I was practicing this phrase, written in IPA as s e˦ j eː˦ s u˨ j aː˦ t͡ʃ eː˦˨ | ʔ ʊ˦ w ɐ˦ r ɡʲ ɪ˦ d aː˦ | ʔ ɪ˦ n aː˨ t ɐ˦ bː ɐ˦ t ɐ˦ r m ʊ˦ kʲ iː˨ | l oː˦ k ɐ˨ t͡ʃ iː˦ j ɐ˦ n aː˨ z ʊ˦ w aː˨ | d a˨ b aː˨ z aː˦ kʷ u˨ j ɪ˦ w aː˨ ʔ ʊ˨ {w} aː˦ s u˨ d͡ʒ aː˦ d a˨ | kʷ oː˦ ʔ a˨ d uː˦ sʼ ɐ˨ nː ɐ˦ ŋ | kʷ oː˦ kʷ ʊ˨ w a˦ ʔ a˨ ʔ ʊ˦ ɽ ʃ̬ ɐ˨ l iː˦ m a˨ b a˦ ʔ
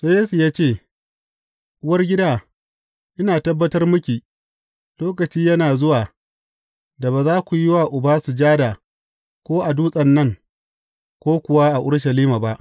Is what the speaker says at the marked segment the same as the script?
no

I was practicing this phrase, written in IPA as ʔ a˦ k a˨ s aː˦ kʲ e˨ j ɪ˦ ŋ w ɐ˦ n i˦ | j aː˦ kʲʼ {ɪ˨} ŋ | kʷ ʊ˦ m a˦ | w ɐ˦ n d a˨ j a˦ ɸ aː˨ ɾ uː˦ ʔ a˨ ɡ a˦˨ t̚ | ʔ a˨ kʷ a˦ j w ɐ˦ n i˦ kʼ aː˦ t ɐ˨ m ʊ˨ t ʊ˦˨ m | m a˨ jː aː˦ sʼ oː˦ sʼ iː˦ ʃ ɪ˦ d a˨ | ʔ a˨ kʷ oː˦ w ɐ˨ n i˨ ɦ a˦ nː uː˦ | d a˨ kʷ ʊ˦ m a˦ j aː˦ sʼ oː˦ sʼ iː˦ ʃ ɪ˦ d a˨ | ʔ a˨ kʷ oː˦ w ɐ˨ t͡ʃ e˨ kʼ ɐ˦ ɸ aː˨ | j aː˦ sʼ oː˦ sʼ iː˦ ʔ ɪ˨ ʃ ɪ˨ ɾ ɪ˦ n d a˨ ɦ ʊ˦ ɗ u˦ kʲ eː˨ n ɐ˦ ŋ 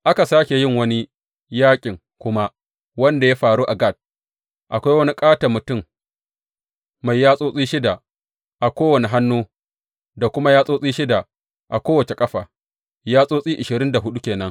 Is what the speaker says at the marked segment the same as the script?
yes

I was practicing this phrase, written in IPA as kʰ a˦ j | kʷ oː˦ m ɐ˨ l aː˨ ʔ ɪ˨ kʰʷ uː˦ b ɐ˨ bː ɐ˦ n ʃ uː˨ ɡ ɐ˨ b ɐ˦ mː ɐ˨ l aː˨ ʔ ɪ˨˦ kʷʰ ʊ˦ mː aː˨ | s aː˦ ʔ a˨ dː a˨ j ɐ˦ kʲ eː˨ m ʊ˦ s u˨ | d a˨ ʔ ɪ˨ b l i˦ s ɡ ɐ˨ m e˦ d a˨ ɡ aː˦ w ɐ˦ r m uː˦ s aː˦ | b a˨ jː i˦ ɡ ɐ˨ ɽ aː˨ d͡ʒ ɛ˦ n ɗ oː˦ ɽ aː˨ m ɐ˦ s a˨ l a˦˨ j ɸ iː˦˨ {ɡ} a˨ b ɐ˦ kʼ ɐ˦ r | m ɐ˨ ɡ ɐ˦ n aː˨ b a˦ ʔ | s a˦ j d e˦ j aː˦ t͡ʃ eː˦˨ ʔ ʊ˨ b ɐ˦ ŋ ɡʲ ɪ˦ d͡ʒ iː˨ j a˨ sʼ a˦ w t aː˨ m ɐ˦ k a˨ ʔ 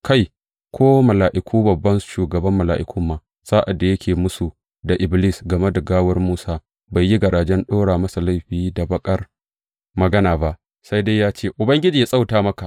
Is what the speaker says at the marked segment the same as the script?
no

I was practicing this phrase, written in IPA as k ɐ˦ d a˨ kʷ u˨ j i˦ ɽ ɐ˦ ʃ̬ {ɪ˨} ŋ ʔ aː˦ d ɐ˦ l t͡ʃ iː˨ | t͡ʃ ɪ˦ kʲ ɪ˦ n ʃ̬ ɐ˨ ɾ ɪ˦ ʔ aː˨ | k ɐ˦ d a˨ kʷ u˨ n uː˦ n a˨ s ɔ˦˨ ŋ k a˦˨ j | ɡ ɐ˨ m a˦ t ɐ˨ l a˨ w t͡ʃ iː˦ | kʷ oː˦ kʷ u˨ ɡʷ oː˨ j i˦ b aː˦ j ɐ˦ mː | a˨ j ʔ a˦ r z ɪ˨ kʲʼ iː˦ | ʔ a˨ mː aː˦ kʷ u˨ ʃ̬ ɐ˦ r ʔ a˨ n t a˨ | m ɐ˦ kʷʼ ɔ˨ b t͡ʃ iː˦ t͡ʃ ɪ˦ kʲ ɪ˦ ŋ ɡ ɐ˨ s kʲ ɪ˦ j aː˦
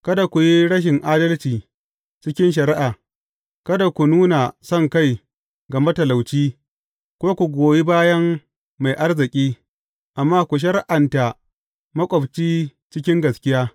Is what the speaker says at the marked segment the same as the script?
yes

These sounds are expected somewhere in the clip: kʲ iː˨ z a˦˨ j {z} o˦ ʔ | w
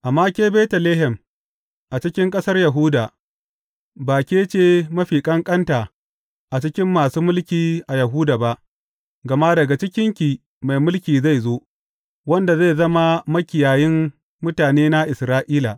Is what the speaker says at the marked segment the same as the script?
yes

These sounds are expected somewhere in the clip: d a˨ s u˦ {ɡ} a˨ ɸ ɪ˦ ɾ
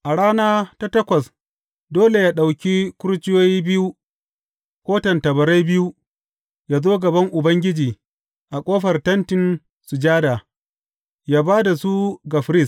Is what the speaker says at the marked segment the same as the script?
yes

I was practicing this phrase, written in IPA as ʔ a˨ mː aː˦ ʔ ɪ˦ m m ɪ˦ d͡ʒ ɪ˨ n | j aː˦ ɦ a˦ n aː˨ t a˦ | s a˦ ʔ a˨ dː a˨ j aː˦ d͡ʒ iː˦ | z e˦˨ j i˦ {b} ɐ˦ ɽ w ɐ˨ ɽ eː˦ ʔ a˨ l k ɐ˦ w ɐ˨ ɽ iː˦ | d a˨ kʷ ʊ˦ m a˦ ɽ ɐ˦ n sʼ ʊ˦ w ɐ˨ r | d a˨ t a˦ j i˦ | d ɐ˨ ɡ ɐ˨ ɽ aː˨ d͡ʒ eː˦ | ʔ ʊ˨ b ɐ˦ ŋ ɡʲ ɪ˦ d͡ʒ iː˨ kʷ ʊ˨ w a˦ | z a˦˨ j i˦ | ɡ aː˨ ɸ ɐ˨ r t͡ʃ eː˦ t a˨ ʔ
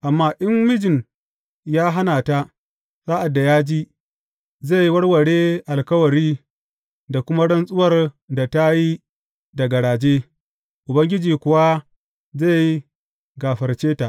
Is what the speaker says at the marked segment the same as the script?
no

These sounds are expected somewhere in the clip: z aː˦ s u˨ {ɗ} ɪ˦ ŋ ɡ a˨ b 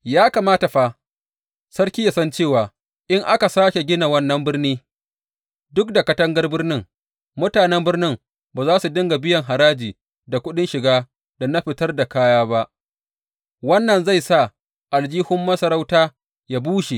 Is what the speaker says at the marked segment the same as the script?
no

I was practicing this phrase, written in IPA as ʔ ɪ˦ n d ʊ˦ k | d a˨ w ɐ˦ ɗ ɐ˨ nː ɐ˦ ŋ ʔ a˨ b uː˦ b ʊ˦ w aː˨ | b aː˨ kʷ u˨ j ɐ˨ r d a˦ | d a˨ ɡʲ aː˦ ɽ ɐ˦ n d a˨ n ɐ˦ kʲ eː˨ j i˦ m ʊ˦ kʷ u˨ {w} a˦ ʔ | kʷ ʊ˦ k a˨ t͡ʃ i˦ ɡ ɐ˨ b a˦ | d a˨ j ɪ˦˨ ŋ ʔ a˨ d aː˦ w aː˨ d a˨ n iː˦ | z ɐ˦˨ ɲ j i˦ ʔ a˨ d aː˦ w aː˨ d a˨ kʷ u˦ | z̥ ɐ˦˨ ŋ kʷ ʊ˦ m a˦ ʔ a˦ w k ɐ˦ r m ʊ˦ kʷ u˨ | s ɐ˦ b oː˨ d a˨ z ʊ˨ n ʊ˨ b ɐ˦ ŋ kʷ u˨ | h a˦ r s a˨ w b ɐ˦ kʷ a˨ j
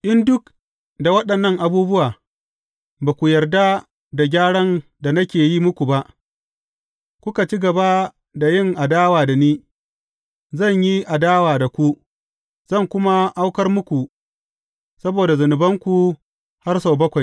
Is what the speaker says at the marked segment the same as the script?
no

